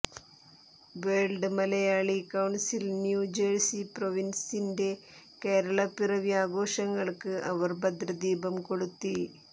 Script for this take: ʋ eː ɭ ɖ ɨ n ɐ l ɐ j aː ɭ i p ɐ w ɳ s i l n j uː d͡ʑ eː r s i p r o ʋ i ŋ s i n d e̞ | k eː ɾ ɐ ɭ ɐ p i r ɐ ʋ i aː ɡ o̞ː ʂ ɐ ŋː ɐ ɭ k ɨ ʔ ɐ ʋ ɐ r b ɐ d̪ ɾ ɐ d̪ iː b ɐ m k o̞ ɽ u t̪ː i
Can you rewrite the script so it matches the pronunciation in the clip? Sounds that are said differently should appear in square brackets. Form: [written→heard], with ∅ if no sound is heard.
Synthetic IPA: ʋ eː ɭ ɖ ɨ [n→m] ɐ l ɐ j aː ɭ i [p→k] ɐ w ɳ s i l n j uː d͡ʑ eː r s i p r o ʋ i [ŋ→n] s i n d e̞ | k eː ɾ ɐ ɭ ɐ p i r ɐ ʋ i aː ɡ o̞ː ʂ ɐ ŋː ɐ ɭ k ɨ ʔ ɐ ʋ ɐ r b ɐ d̪ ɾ ɐ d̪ iː b ɐ m k o̞ ɽ u t̪ː i